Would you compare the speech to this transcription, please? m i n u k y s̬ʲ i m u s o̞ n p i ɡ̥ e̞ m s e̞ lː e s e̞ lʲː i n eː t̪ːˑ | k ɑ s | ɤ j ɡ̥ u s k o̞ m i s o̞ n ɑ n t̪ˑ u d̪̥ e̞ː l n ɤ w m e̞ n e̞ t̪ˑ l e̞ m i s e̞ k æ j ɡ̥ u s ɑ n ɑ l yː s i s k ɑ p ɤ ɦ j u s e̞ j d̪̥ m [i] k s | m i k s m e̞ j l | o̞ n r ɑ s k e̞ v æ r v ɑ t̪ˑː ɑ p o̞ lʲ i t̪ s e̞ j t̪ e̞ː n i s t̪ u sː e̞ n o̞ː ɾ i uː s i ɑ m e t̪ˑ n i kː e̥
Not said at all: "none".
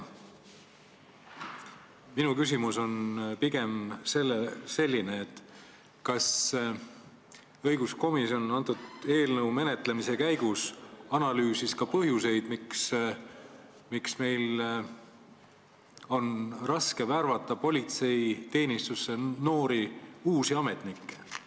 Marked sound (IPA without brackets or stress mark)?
i